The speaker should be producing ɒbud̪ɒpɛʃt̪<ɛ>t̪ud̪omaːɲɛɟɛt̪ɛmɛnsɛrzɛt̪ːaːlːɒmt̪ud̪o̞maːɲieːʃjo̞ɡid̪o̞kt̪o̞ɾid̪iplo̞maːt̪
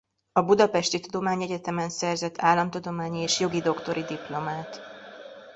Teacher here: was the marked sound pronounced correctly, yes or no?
no